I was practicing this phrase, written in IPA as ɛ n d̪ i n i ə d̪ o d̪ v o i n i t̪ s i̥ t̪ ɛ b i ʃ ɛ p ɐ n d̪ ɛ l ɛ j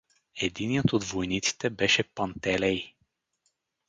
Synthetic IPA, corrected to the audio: ɛ d̪ i n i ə t̪ o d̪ v o j n i t̪ s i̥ t̪ ɛ b ɛ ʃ ɛ p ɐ n t̪ ɛ l ɛ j